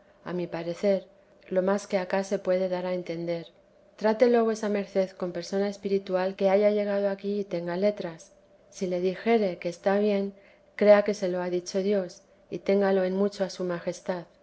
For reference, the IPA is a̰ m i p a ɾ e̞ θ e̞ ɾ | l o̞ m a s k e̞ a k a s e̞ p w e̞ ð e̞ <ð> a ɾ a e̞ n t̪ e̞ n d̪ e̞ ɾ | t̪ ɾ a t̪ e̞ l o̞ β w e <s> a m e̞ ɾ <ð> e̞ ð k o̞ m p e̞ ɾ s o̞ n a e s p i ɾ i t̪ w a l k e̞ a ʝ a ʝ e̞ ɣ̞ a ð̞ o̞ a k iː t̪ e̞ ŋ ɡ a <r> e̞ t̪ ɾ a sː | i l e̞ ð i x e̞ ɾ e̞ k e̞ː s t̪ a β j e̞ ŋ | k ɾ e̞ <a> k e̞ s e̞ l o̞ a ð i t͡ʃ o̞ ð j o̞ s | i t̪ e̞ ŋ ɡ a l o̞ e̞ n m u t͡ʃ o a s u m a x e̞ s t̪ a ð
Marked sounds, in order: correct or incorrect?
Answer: correct, correct, incorrect: θ, incorrect: l, correct

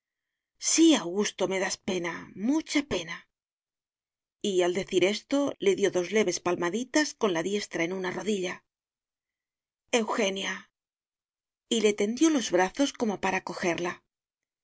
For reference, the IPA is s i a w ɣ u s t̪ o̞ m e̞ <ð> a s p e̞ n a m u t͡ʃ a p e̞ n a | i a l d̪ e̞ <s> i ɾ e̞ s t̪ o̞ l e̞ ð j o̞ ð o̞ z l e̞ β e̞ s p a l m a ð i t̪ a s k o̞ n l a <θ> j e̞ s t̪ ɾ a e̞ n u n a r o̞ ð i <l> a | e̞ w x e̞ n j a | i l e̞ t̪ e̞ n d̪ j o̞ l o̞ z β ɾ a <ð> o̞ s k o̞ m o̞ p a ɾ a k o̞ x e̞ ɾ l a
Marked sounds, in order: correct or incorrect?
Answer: correct, incorrect: θ, incorrect: ð, incorrect: ʎ, incorrect: θ

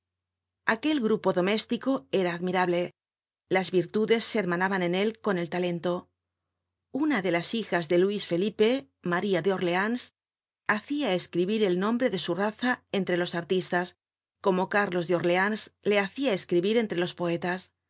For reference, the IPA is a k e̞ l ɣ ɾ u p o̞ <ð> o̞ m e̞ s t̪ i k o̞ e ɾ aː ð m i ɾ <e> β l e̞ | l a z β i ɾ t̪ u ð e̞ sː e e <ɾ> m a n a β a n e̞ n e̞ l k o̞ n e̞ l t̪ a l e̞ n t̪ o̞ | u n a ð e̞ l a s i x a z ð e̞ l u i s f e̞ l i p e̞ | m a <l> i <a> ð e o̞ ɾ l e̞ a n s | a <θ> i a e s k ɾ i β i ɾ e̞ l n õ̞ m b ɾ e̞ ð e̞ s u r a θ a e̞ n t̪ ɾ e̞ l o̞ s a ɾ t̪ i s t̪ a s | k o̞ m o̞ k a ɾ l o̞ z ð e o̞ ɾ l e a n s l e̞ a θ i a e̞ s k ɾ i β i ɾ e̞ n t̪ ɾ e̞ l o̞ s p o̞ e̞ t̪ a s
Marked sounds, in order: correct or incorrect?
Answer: correct, incorrect: a, correct, incorrect: ɾ, correct, correct

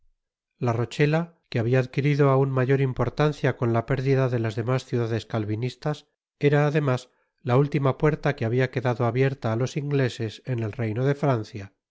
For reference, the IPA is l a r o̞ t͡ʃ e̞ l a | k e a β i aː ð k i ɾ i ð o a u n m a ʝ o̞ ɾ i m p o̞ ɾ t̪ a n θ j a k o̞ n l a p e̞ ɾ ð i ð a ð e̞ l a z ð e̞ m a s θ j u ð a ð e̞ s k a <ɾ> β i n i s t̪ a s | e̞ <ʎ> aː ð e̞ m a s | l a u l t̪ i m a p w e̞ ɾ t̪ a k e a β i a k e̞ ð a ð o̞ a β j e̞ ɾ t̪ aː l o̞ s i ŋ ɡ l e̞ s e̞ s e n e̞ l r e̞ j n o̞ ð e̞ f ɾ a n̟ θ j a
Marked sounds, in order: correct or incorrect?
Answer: incorrect: l, incorrect: ɾ

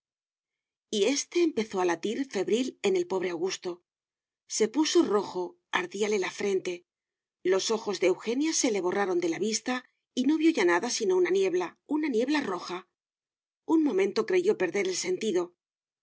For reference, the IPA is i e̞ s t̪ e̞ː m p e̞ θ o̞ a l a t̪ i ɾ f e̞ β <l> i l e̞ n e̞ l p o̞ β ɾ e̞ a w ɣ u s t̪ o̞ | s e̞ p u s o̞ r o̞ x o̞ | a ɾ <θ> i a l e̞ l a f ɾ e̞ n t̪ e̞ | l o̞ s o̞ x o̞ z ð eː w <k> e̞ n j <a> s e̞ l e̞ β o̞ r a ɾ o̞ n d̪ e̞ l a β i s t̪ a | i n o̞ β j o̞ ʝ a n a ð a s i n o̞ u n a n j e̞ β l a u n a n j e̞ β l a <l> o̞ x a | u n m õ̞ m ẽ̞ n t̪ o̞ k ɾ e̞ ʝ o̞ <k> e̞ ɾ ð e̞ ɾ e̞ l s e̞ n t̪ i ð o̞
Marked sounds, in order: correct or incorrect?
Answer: incorrect: ɾ, incorrect: ð, incorrect: x, correct, incorrect: r, incorrect: p

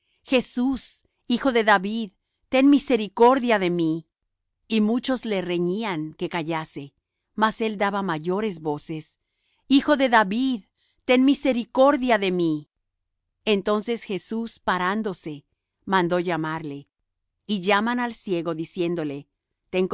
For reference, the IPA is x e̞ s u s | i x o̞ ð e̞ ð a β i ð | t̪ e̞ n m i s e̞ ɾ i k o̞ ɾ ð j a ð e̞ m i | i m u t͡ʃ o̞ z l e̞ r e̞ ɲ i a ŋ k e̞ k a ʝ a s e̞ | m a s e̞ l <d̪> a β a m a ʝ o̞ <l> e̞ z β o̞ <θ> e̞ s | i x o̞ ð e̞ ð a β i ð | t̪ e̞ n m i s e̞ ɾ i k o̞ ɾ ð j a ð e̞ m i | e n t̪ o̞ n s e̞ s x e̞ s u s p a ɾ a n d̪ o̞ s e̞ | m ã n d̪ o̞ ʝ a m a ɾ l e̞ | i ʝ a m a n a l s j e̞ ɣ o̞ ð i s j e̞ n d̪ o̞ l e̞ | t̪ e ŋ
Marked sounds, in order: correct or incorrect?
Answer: correct, incorrect: ɾ, incorrect: s

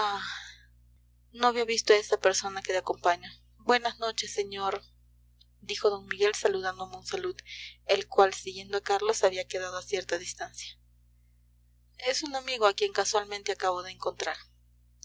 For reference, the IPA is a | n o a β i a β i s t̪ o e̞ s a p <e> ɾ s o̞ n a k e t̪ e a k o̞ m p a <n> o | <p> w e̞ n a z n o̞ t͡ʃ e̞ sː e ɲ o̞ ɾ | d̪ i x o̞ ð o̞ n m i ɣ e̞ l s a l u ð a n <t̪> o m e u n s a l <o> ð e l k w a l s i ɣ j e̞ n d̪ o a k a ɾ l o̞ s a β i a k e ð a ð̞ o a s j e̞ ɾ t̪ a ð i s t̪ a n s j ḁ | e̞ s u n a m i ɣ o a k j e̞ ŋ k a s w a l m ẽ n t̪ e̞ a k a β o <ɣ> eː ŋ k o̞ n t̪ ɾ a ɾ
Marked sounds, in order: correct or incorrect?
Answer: correct, incorrect: ɲ, incorrect: b, incorrect: d̪, incorrect: u, incorrect: ð

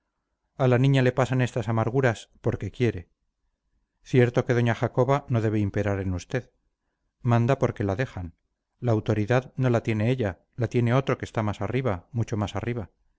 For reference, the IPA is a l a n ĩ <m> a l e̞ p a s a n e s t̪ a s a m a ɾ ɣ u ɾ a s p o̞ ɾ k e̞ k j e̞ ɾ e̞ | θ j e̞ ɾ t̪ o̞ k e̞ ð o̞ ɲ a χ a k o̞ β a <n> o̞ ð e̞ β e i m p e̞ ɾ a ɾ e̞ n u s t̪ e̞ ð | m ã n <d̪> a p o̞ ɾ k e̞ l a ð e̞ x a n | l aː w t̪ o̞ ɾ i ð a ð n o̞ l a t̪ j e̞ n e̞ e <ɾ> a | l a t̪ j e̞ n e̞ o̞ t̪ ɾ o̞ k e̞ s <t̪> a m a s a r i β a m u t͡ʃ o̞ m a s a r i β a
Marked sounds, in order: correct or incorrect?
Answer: incorrect: ɲ, correct, correct, incorrect: ʎ, correct

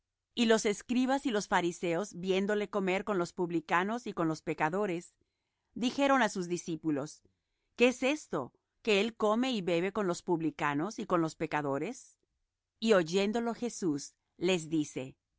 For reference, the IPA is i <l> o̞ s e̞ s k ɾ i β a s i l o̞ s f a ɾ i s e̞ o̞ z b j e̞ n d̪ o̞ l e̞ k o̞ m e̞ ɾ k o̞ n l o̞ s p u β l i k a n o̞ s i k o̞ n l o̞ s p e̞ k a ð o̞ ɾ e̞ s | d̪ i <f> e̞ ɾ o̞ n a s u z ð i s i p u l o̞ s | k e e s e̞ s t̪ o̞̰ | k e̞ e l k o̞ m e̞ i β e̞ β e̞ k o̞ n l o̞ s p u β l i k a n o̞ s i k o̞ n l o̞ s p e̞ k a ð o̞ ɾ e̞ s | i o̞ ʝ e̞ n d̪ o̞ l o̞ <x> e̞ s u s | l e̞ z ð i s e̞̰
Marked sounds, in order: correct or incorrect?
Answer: correct, incorrect: x, correct

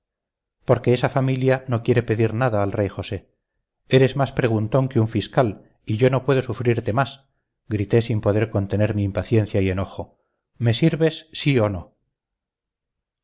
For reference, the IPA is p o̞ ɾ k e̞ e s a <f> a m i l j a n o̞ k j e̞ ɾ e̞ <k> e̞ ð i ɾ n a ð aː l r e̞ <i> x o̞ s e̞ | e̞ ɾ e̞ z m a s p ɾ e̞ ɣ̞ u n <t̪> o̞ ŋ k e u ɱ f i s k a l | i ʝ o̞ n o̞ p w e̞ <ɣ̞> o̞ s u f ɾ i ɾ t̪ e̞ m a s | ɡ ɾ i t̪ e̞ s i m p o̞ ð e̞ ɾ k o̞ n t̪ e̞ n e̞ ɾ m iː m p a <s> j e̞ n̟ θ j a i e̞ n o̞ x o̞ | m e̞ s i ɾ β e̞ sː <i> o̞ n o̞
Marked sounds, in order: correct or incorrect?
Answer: correct, incorrect: p, incorrect: j, correct, incorrect: ð̞, incorrect: θ, correct

